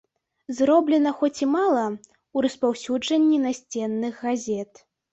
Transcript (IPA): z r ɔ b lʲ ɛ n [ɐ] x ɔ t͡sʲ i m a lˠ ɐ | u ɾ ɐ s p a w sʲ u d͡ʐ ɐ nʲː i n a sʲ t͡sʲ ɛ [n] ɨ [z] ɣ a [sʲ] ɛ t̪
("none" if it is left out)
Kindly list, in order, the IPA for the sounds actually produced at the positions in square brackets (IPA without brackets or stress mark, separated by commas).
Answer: ɐ, nː, ɣ, zʲ